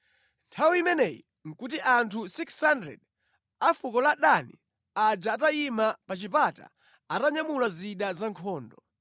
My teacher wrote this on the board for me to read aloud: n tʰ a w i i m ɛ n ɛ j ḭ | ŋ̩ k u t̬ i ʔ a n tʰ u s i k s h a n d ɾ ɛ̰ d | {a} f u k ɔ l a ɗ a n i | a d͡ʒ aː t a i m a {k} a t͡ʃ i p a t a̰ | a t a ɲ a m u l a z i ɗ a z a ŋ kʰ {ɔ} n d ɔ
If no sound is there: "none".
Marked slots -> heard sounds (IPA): a, p, ɔː

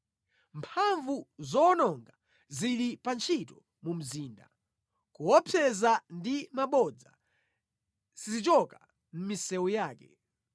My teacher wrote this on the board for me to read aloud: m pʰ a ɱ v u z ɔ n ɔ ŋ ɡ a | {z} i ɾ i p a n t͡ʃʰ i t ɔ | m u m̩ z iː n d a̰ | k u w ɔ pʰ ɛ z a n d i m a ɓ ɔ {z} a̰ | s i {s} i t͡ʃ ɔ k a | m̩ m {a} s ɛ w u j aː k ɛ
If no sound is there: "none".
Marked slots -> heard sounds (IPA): z, d͡z, z, i

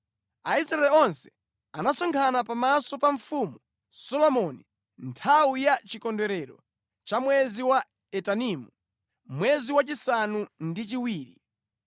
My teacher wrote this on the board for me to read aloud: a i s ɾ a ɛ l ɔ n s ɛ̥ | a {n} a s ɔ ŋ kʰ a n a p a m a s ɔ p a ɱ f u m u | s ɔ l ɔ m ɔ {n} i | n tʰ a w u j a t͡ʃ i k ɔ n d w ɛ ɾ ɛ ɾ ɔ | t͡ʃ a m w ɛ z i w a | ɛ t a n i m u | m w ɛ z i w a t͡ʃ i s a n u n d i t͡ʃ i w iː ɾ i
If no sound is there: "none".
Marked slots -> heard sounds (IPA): n, n

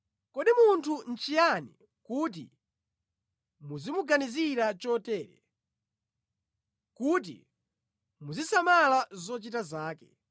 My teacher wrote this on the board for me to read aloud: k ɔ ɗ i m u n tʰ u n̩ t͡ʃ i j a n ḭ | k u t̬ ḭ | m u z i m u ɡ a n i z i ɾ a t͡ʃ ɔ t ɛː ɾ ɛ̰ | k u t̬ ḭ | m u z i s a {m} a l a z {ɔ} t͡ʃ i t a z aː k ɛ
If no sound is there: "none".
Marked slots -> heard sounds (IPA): m, ɔ

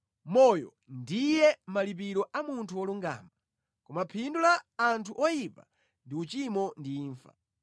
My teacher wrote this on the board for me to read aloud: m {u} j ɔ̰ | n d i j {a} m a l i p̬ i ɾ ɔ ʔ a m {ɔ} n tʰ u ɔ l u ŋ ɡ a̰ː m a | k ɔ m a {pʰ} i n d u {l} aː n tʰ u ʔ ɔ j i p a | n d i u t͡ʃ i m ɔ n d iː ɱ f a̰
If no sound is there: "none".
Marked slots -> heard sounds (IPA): ɔ, ɛ, u, pʰ, l

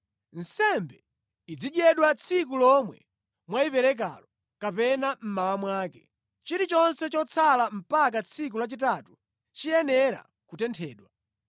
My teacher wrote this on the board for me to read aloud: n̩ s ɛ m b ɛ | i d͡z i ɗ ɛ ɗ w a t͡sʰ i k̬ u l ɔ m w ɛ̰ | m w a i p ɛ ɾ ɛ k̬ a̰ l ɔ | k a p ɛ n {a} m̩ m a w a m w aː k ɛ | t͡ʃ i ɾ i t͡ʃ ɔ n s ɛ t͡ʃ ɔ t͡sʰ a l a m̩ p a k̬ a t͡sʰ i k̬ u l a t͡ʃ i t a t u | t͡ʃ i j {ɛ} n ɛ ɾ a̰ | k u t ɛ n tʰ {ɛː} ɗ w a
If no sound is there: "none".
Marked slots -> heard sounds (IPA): a, ɛ, ɛː

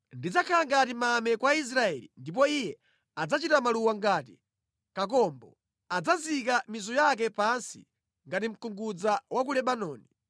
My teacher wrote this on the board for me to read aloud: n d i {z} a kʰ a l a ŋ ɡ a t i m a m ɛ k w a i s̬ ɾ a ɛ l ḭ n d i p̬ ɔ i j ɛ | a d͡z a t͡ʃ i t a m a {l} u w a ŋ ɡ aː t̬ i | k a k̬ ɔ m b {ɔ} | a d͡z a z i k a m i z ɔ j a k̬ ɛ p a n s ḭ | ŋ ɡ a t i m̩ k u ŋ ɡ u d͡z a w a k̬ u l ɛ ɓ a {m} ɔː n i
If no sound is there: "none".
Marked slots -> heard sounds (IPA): d͡z, l, ɔ, n

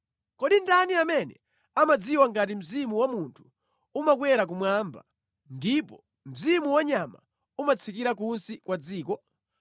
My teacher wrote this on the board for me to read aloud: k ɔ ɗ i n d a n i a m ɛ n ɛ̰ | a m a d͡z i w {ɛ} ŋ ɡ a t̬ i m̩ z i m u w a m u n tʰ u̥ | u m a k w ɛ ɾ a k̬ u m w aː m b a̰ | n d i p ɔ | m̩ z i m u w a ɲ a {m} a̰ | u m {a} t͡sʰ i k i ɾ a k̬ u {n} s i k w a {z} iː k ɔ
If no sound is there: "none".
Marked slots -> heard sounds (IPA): a, m, a, n, d͡z

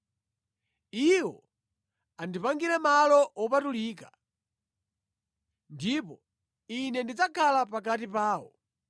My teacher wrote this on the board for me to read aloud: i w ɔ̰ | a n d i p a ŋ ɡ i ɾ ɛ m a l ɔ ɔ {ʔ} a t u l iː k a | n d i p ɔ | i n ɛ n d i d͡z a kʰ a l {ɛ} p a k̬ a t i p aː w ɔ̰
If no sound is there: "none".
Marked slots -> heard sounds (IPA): p, a

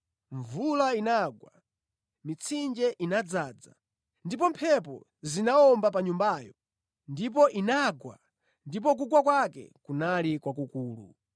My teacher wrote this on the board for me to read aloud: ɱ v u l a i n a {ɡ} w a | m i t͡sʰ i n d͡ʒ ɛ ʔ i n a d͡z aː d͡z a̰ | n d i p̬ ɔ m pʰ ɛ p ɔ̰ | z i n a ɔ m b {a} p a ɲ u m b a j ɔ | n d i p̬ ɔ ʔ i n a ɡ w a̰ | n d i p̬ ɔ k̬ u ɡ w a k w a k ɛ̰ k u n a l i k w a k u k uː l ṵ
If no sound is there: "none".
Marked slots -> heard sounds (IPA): ɡ, a

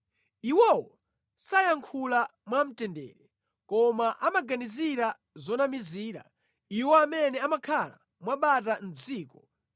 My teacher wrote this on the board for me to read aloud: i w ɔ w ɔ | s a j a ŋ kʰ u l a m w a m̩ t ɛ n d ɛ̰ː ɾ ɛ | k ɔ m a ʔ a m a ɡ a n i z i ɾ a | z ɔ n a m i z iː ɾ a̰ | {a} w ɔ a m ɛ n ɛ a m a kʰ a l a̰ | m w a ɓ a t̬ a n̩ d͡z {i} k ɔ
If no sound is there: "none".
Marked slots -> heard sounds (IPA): i, iː

